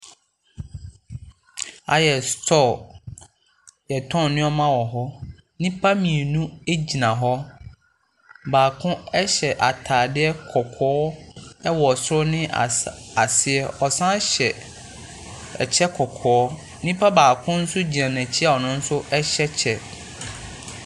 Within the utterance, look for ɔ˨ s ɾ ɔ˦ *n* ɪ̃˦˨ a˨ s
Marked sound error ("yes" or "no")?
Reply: no